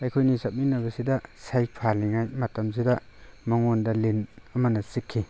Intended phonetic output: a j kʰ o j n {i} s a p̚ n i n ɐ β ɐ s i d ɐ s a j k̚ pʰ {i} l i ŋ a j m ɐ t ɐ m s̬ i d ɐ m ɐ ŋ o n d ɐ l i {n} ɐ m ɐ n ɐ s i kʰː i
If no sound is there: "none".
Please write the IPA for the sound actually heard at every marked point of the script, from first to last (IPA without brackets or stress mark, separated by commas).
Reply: i, a, n